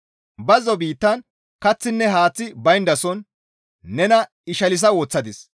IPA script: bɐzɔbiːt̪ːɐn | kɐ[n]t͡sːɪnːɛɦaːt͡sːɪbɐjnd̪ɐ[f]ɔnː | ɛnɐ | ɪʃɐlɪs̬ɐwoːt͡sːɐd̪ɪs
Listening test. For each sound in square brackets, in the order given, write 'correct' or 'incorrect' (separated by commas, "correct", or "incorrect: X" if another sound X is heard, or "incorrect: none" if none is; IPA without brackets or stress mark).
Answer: incorrect: none, incorrect: s